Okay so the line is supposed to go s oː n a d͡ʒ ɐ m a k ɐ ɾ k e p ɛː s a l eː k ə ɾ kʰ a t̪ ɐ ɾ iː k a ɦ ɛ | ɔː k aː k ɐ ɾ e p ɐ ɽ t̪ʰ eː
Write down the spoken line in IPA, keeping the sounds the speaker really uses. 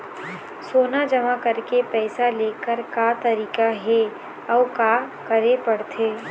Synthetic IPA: s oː n a d͡ʒ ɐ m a k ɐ ɾ k e p ɛː s a l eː k ə ɾ k a t̪ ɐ ɾ iː k a ɦ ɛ | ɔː k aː k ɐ ɾ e p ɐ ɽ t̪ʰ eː